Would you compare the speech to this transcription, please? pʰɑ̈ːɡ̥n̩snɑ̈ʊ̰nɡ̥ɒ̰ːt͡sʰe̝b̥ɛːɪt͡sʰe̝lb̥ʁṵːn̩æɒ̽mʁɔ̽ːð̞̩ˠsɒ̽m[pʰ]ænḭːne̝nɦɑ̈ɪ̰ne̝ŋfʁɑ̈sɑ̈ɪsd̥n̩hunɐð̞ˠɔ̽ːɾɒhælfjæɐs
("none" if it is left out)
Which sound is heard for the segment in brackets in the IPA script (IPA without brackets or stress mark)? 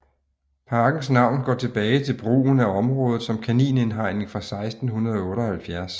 kʰ